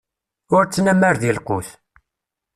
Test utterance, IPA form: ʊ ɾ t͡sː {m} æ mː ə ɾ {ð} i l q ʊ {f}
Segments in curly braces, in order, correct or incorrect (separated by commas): incorrect, correct, incorrect